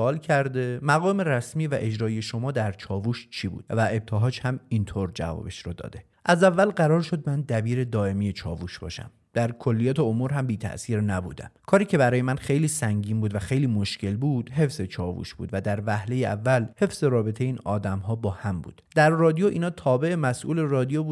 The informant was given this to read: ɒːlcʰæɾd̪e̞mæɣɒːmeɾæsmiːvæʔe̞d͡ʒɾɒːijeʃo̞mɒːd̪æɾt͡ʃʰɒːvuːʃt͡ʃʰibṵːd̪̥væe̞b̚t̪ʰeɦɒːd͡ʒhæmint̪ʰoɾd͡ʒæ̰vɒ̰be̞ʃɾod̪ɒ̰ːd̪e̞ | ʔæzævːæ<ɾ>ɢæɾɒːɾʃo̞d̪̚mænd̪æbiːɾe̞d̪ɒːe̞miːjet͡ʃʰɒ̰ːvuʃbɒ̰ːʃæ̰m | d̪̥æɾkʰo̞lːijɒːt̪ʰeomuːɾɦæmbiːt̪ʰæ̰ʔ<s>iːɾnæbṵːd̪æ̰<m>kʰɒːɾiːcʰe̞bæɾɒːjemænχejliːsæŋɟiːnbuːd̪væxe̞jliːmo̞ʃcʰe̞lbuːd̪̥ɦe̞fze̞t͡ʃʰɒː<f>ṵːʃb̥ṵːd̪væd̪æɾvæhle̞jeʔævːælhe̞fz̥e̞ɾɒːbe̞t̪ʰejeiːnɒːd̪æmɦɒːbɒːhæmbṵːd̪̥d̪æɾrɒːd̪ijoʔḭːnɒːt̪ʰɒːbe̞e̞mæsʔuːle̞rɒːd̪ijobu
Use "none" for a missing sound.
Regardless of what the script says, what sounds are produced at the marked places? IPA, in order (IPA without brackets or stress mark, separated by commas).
l, s, m, v